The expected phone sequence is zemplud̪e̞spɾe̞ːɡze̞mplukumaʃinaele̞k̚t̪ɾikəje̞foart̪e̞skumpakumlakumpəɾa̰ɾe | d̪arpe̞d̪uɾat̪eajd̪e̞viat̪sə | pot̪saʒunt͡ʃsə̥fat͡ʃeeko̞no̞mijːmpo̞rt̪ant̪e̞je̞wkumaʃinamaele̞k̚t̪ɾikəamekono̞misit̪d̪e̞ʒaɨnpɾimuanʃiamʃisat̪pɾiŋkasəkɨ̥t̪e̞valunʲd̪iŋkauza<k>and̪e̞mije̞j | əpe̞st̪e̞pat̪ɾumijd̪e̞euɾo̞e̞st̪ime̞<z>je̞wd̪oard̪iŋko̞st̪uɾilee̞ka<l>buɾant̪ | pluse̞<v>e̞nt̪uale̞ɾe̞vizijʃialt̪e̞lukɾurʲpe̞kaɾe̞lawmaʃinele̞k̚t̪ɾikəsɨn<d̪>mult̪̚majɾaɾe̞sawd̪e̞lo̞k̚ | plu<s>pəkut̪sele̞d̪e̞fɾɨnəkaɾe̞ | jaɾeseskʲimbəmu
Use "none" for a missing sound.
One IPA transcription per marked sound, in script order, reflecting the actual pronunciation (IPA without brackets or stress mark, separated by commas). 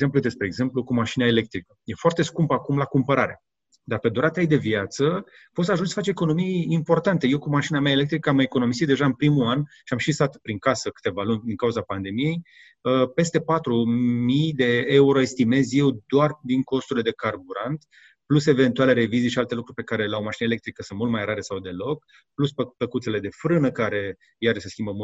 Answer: p, z, r, v, t̪, s